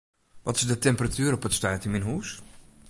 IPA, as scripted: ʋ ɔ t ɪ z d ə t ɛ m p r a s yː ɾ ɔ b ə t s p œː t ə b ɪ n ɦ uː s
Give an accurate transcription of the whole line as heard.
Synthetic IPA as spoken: ʋ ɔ t ɪ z d ə t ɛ m p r a t yː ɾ ɔ p ə t s t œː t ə m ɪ n ɦ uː s